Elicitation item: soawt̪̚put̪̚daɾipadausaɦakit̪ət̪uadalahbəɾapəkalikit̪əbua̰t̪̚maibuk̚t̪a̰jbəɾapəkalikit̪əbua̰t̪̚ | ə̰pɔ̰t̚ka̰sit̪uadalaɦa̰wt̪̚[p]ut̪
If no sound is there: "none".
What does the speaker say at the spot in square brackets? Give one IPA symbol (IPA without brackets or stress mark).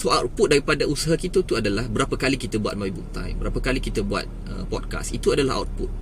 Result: p